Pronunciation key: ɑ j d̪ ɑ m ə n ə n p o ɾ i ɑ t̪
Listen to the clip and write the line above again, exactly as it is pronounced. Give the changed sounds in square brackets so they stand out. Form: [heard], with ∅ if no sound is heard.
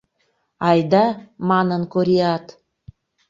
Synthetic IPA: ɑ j d̪ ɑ m [ɑ] n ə n [k] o ɾ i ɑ t̪

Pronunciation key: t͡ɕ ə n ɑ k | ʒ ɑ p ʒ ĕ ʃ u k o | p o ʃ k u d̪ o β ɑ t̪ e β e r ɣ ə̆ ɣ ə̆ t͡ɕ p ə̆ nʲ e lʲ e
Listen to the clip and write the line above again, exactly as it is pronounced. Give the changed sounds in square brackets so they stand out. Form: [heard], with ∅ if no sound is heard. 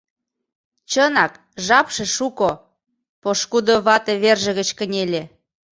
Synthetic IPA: t͡ɕ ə n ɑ k | ʒ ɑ p [ʃ] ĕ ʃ u k o | p o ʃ k u d̪ o β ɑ t̪ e β e r [ʒ] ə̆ ɣ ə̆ t͡ɕ [k] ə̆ nʲ e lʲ e

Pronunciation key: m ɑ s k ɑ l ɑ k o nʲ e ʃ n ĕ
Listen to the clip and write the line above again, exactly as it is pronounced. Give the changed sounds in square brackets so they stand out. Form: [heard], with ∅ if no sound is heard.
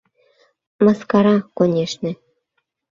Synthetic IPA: m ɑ s k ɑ [ɾ] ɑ k o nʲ e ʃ n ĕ

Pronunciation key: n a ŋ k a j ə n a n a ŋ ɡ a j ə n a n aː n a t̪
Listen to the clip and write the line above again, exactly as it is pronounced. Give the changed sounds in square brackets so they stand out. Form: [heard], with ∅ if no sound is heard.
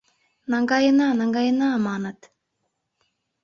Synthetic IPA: n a ŋ [ɡ] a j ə n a n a ŋ ɡ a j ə n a [m] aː n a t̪

